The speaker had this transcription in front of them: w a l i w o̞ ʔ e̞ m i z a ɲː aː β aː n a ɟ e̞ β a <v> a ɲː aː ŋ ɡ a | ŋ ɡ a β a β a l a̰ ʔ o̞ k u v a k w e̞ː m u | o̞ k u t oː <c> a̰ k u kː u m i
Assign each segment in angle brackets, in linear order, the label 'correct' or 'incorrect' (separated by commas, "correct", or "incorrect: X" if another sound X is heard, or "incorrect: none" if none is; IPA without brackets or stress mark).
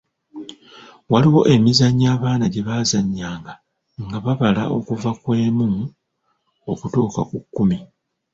incorrect: z, incorrect: k